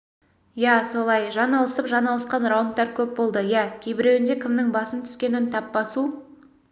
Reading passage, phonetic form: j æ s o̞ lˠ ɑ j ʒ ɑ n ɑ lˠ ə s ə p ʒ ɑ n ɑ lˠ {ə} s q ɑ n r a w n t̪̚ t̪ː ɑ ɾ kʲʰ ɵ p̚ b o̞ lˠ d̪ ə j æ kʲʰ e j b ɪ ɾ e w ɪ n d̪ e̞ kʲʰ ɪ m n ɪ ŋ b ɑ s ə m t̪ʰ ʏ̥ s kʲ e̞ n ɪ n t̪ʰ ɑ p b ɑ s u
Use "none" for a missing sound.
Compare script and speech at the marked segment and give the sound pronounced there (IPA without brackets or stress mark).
ə